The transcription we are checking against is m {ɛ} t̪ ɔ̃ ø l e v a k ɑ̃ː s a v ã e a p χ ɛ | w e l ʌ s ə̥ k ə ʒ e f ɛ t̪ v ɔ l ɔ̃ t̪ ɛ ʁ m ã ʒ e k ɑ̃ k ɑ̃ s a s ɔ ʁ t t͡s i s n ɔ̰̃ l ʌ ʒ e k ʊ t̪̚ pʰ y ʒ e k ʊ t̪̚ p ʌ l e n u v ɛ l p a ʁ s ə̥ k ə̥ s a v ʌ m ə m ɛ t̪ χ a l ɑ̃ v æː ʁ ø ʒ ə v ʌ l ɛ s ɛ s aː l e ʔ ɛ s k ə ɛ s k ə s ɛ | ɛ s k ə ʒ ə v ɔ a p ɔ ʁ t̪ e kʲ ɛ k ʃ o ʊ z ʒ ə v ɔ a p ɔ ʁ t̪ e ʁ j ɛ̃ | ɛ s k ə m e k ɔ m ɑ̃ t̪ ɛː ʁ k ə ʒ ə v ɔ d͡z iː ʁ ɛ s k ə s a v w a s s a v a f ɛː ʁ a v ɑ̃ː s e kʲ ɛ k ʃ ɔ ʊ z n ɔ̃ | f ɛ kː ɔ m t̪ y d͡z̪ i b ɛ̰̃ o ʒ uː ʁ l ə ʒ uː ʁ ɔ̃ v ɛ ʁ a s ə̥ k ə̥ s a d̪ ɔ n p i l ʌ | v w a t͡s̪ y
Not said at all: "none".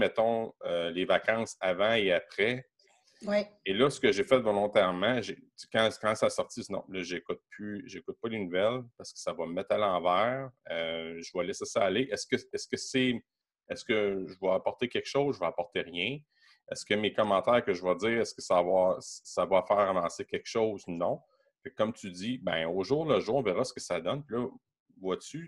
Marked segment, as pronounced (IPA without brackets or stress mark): ɛ